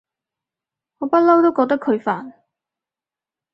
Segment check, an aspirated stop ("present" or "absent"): present